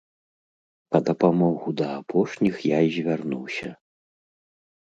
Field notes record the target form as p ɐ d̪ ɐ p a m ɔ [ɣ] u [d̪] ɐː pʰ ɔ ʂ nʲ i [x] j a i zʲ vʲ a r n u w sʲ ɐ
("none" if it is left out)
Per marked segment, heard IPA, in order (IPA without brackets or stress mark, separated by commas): ɣ, d̪, x